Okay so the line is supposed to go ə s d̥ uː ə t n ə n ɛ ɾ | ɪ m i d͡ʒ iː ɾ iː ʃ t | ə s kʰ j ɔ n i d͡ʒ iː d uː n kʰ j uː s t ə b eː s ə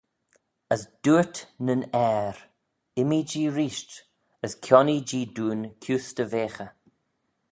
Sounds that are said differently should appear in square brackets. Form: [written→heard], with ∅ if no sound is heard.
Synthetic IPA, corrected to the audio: ə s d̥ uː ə t n ə n ɛ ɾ | ɪ m i d͡ʒ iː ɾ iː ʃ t | ə s kʰ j ɔ n i d͡ʒ iː d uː n kʰ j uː s t ə [b→v] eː [s→x] ə